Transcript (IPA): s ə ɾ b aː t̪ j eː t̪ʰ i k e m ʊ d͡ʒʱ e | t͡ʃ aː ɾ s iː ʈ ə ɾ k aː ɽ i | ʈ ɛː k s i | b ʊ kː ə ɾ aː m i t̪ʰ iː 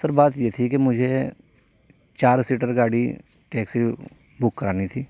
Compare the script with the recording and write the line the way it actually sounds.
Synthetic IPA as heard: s ə ɾ b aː t̪ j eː t̪ʰ i k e m ʊ d͡ʒʱ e | t͡ʃ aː ɾ s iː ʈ ə ɾ ɡ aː ɽ i | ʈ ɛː k s i | b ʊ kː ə ɾ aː n i t̪ʰ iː